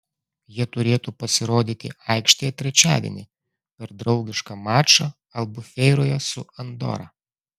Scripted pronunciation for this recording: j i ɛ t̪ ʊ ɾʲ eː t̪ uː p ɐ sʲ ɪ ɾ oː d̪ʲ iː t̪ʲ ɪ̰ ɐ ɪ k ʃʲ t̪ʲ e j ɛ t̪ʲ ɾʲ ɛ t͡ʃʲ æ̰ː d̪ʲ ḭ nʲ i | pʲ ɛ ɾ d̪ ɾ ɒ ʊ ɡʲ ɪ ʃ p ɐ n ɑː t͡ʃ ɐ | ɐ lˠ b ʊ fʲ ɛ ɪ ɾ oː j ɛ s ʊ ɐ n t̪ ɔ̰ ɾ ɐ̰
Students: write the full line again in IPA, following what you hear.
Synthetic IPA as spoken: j i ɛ t̪ ʊ ɾʲ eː t̪ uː p ɐ sʲ ɪ ɾ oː d̪ʲ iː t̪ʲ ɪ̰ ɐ ɪ k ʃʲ t̪ʲ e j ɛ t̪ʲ ɾʲ ɛ t͡ʃʲ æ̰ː d̪ʲ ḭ nʲ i | pʲ ɛ ɾ d̪ ɾ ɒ ʊ ɡʲ ɪ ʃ k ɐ m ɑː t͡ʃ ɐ | ɐ lˠ b ʊ fʲ ɛ ɪ ɾ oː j ɛ s ʊ ɐ n d̪ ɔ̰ ɾ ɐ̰